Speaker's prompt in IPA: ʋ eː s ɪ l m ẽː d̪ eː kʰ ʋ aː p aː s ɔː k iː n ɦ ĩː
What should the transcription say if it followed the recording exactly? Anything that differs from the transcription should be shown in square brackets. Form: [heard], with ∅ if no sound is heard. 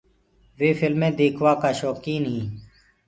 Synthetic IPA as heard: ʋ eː [f] ɪ l m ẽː d̪ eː kʰ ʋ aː [k] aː [ʃ] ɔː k iː n ɦ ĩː